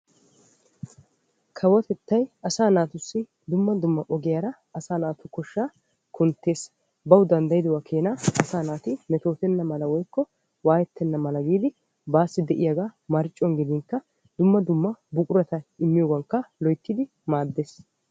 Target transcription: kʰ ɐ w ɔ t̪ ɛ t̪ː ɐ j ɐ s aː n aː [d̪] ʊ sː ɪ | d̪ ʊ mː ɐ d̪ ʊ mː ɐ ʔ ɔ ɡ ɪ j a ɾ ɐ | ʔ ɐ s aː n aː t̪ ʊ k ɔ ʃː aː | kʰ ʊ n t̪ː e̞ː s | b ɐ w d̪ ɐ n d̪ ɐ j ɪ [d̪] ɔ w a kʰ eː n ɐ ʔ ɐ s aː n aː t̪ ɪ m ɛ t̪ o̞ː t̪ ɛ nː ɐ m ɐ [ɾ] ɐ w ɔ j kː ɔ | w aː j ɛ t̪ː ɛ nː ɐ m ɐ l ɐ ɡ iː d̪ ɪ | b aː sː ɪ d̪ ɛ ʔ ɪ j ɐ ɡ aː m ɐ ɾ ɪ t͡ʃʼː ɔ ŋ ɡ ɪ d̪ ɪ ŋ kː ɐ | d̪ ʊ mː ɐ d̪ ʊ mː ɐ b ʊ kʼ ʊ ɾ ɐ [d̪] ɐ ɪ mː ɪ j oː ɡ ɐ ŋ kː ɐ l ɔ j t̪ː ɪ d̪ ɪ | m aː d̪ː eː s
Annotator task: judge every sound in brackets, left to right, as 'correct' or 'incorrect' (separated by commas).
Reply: incorrect, correct, incorrect, incorrect